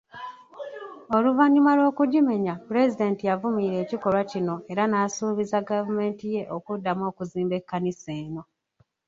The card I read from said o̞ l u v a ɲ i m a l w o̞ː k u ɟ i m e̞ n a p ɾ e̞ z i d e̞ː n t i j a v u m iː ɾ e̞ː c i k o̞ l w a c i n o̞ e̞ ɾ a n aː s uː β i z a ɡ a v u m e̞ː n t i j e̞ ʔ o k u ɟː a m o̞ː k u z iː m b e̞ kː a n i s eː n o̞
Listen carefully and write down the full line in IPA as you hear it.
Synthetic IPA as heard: o̞ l u v a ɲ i m a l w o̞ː k u ɟ i m e̞ ɲ a p ɾ e̞ z i d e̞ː n t i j a v u m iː ɾ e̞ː c i k o̞ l w a c i n o̞ e̞ ɾ a n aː s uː β i z a ɡ a v u m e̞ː n t i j e̞ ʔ o k u dː a m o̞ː k u z iː m b e̞ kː a n i s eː n o̞